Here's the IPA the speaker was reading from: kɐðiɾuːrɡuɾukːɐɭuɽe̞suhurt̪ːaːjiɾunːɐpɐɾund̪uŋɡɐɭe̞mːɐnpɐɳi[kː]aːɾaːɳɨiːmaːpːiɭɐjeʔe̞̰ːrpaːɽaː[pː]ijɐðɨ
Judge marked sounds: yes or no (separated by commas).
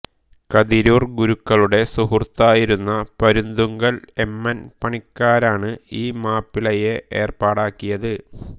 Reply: yes, no